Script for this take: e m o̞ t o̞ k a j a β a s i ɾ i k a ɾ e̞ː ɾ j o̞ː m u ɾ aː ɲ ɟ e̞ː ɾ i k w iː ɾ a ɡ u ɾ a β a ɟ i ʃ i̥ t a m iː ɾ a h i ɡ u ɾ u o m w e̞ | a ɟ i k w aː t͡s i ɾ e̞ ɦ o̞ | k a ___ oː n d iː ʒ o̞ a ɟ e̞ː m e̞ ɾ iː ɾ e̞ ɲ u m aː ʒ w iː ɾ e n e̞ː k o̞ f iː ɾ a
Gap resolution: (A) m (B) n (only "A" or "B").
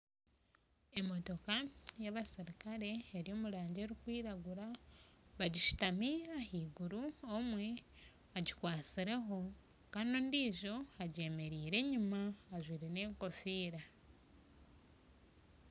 B